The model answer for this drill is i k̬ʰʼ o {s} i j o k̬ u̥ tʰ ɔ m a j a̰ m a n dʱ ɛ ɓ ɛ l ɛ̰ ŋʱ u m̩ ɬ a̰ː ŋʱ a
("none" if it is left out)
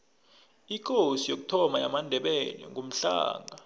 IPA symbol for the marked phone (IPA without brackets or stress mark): s